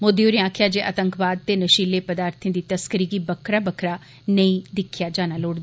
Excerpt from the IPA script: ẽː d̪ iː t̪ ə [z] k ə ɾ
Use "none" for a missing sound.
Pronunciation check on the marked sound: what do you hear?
s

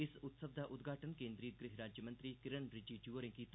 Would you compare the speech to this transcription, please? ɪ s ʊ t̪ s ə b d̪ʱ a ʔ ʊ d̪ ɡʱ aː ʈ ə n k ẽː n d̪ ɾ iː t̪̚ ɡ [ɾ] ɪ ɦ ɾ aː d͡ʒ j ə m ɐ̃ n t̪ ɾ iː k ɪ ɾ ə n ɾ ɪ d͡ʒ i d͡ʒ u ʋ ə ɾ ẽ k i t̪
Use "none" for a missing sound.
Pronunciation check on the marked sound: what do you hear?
ɾ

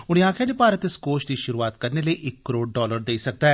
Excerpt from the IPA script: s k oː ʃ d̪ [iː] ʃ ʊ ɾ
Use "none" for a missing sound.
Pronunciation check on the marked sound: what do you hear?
iː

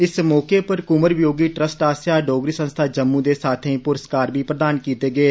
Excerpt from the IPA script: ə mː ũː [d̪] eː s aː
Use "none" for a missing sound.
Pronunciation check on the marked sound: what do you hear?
d̪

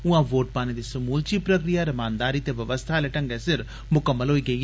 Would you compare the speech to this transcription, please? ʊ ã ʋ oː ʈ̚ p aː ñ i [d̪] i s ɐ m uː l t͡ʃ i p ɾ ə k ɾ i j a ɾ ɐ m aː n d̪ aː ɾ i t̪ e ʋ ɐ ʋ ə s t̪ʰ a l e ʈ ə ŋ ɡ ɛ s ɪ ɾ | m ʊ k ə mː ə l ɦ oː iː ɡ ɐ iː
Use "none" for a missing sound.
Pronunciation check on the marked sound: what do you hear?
d̪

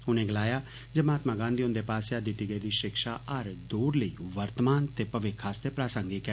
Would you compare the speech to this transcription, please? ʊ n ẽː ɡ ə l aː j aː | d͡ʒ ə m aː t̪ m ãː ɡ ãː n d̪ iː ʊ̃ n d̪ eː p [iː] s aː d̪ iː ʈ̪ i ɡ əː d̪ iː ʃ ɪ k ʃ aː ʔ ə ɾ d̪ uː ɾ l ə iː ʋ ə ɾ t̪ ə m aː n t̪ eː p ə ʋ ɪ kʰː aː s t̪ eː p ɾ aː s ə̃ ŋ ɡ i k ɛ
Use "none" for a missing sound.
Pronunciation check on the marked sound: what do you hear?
aː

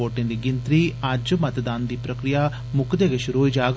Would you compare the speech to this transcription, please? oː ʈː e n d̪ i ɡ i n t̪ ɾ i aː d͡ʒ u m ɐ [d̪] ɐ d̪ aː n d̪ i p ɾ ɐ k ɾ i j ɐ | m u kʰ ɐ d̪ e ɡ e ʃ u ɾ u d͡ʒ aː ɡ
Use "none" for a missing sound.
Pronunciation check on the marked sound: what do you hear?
t̪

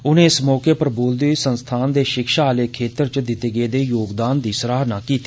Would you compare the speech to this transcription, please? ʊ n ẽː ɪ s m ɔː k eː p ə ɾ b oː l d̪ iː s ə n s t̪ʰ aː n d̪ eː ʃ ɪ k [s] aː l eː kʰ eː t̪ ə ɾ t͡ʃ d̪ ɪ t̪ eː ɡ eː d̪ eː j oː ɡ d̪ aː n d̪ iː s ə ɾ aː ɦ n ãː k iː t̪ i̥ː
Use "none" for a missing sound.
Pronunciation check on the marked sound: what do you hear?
ʃ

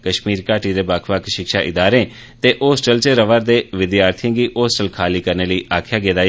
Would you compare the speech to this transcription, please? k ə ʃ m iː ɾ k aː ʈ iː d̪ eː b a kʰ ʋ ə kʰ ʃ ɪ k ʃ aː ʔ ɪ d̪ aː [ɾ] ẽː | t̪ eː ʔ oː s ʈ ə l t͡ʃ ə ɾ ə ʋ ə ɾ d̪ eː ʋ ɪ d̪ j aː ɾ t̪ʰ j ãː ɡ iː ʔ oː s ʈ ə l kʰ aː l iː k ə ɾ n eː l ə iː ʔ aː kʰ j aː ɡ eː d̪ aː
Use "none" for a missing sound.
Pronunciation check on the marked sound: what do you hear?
ɾ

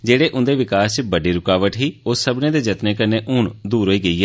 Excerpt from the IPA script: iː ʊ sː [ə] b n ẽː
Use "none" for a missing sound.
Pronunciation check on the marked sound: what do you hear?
ə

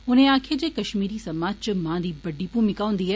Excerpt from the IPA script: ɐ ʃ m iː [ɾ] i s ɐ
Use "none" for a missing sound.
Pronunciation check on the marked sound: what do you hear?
ɾ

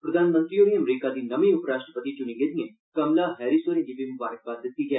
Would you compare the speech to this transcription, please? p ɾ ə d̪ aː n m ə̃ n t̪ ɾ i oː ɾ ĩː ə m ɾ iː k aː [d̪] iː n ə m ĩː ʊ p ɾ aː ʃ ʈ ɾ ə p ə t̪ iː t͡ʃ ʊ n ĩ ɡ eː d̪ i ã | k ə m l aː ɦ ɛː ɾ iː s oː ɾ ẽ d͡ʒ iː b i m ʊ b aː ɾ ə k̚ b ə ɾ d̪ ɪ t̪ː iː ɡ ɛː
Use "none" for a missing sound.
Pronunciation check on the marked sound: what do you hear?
d̪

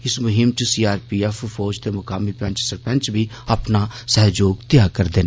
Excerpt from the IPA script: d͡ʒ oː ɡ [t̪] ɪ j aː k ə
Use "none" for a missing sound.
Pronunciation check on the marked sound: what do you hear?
t̪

